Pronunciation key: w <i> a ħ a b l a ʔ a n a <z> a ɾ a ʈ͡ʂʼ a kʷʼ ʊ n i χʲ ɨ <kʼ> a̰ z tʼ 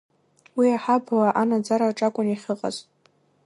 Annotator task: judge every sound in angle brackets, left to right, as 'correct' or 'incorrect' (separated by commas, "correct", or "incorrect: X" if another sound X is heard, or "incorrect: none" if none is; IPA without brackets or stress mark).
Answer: correct, incorrect: d͡z, incorrect: qʼ